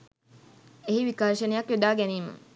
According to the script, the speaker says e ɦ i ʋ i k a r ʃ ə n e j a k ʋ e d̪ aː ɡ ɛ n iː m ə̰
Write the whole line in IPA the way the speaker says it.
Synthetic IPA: e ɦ i ʋ i k a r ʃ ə n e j a k ʋ e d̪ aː ɡ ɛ n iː m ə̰